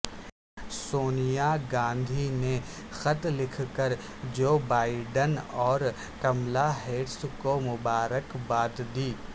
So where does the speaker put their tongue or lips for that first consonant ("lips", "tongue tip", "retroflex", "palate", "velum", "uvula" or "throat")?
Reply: tongue tip